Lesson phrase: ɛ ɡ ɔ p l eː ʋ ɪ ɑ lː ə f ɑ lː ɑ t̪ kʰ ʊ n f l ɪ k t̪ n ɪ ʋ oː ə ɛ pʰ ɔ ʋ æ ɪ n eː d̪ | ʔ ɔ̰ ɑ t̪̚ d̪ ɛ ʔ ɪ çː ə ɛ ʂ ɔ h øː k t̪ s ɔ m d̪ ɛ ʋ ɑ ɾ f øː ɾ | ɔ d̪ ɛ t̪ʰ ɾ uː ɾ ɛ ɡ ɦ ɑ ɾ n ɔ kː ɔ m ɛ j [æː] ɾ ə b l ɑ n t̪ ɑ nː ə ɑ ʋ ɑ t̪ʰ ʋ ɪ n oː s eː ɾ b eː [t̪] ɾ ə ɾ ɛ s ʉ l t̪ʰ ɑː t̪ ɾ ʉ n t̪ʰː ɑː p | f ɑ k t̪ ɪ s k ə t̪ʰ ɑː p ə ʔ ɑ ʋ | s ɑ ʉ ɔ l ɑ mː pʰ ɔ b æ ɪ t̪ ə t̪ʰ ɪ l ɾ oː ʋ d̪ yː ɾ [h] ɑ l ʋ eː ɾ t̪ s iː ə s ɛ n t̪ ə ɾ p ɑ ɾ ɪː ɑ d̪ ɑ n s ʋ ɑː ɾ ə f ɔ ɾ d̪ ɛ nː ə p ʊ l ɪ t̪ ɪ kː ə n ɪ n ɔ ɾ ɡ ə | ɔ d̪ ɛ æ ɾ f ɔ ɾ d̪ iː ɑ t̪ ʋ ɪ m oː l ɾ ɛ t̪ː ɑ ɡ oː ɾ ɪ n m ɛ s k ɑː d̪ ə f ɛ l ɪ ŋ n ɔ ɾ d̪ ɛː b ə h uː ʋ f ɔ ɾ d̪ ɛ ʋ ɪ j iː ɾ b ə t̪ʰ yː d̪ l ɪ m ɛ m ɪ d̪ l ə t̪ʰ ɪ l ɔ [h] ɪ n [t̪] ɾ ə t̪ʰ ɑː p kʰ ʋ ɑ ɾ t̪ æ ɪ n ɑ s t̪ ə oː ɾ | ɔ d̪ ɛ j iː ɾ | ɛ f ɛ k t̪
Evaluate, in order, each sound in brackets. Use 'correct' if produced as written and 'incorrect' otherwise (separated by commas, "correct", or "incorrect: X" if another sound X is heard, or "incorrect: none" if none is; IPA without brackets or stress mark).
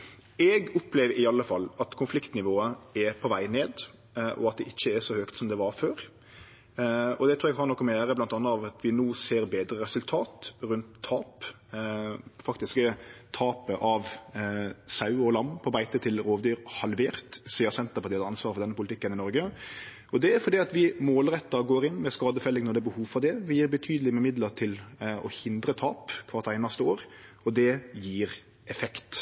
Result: correct, incorrect: d̪, correct, correct, incorrect: d̪